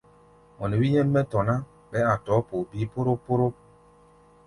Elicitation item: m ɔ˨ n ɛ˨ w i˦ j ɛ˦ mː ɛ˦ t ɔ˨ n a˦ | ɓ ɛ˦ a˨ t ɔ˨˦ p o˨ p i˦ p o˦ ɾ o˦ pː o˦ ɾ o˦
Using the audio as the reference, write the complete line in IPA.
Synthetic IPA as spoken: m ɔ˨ n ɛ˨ w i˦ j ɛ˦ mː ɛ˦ t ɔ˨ n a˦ | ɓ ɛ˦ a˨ t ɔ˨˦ p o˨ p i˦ p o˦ ɾ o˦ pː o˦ ɾ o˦